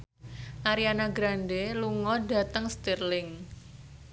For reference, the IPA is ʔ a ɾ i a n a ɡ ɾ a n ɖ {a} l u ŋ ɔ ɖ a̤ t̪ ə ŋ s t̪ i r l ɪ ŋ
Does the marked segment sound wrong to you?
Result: yes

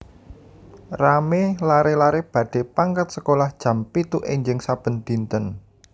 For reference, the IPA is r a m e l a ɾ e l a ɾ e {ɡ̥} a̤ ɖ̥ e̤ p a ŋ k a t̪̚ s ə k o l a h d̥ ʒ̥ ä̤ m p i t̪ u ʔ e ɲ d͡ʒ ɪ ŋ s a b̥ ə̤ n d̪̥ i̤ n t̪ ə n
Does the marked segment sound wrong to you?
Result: yes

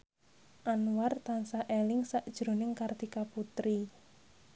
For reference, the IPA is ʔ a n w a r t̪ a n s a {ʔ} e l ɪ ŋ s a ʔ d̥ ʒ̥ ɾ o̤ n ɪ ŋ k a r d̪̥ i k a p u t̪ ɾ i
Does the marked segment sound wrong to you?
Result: no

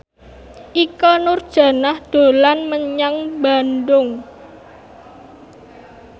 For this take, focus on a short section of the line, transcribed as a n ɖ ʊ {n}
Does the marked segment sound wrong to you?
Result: yes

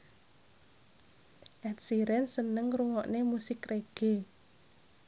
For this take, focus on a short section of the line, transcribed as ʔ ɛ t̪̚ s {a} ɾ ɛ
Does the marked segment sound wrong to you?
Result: yes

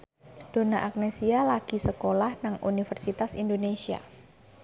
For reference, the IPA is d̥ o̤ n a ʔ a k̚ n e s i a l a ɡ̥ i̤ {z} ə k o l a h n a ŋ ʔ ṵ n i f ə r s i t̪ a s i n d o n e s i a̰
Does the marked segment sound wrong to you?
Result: yes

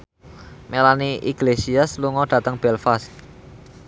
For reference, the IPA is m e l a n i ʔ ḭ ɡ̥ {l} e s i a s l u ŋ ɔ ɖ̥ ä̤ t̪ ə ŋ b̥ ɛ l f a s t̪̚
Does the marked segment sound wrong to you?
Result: no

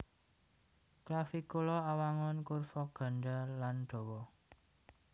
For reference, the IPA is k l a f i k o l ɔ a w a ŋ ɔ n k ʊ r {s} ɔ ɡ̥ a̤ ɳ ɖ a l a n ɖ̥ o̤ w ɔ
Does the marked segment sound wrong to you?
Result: yes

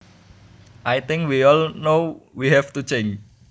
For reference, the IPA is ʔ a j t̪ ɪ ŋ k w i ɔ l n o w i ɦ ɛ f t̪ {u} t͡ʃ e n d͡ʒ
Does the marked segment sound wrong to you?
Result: no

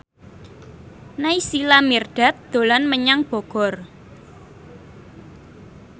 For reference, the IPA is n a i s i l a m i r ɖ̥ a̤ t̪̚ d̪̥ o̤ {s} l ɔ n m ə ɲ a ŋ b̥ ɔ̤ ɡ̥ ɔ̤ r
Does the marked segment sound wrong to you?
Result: yes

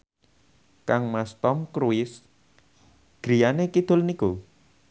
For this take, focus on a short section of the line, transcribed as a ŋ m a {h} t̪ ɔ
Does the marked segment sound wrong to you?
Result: yes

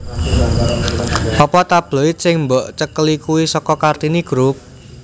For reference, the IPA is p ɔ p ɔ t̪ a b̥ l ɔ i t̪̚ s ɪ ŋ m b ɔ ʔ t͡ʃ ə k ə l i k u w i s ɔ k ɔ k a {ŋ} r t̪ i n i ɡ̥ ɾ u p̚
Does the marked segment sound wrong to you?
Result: yes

